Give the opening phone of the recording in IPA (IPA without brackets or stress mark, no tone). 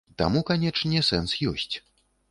t̪